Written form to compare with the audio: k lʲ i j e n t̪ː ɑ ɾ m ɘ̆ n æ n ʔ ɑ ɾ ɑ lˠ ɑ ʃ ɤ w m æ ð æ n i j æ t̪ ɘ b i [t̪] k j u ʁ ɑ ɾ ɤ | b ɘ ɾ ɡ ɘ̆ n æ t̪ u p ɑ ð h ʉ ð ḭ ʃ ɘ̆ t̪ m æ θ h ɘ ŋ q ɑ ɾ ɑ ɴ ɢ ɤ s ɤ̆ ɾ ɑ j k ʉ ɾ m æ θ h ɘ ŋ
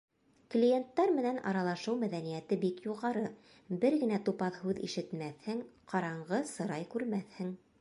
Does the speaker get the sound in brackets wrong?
yes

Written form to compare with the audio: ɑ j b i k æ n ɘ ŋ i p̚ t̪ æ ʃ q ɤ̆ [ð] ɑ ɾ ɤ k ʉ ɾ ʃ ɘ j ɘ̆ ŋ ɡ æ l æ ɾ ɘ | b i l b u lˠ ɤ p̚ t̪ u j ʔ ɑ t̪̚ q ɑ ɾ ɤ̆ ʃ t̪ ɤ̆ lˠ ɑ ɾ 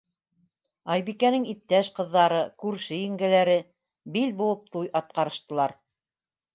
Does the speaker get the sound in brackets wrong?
yes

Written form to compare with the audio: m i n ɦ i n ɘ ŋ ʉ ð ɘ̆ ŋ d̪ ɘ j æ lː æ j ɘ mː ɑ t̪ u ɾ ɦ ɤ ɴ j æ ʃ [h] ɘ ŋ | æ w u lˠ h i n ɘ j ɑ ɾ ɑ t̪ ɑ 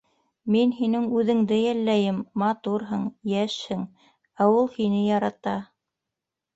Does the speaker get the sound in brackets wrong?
no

